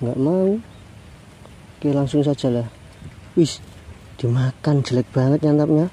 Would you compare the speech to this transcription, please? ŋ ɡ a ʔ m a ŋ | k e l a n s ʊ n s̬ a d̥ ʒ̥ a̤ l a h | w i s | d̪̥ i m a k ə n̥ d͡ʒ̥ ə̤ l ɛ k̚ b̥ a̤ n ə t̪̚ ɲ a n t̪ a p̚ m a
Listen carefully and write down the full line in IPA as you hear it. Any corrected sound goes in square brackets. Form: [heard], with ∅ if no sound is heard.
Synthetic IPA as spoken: ŋ ɡ a ʔ m a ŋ | k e l a [ŋ] s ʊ [ŋ] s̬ a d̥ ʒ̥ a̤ l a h | w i s | d̪̥ i m a k [a] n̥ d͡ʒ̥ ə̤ l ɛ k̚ b̥ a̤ [ŋ] ə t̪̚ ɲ a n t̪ a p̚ [ɲ] a